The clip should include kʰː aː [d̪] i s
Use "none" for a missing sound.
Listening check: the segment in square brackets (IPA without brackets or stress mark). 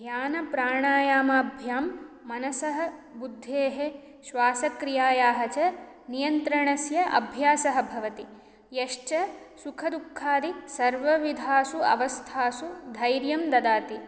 d̪